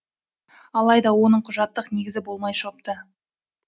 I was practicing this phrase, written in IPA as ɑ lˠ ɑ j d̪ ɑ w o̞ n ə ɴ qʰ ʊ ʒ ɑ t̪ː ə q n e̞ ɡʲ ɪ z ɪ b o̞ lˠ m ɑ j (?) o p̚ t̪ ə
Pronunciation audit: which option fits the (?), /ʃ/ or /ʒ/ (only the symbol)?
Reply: ʃ